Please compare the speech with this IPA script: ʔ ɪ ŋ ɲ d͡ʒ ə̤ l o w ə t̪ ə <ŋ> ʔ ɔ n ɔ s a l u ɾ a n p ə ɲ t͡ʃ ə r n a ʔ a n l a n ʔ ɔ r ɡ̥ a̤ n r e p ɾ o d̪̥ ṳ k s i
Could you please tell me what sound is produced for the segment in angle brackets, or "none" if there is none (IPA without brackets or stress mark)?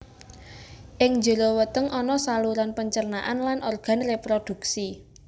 ŋ